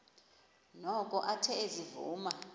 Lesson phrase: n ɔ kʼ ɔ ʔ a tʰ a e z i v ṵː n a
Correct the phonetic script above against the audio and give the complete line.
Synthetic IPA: n ɔ kʼ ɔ ʔ a tʰ ɛ e z i v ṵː m a